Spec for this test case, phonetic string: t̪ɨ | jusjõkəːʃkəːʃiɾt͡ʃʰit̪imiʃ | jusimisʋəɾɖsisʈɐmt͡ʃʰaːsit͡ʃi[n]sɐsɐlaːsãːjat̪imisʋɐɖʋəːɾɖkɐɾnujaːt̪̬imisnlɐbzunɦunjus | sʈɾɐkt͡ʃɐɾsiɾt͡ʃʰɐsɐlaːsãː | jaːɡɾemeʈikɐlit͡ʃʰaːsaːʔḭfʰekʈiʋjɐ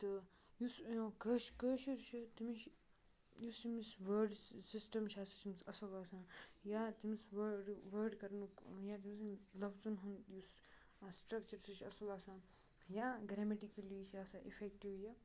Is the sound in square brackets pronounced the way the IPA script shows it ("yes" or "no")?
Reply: no